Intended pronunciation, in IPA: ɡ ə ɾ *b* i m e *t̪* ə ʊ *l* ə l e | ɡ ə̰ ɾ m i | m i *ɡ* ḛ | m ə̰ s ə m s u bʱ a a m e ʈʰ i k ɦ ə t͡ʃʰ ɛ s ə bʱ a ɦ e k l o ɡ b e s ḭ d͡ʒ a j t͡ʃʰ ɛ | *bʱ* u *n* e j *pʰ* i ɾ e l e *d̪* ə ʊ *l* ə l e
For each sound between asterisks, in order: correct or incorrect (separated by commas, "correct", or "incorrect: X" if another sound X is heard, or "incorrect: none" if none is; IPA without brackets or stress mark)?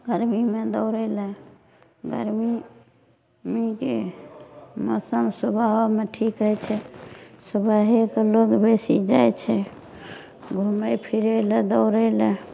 incorrect: m, incorrect: d̪, incorrect: ɾ, incorrect: k, incorrect: ɡʱ, incorrect: m, correct, correct, incorrect: ɾ